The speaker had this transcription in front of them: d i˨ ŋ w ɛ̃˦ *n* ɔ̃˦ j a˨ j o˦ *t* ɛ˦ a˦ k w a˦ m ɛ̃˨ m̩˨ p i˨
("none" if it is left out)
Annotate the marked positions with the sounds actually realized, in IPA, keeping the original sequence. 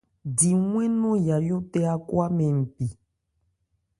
n, t

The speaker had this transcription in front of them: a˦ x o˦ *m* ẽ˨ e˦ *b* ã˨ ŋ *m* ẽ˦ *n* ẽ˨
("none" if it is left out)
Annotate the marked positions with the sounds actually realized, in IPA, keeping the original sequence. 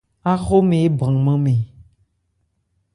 m, b, m, m

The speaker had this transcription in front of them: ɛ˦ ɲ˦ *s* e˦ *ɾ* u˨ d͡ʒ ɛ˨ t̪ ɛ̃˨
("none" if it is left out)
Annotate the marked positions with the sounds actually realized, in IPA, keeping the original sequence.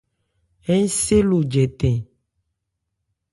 s, l

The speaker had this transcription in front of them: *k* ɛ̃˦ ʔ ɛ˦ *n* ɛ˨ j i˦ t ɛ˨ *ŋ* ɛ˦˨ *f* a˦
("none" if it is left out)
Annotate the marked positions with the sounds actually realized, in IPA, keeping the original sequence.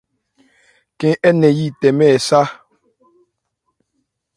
k, n, m, s

